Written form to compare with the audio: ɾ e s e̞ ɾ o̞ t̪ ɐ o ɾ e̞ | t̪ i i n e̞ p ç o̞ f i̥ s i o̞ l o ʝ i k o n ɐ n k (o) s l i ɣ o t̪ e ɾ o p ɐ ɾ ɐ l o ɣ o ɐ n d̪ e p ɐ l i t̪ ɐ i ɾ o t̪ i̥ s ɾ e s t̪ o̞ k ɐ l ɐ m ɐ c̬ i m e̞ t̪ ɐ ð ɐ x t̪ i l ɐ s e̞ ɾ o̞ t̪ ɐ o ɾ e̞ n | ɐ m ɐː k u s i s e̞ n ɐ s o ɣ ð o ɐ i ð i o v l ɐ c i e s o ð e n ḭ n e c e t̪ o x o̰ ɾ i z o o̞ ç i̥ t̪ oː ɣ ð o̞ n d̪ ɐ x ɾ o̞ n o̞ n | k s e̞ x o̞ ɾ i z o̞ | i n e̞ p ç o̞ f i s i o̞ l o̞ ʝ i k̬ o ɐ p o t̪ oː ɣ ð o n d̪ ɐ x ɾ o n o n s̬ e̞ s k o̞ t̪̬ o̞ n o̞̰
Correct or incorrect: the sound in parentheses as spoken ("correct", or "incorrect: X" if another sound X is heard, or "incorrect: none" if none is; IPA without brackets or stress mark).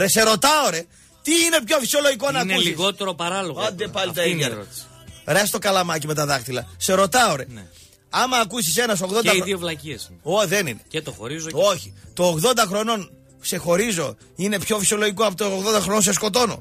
incorrect: u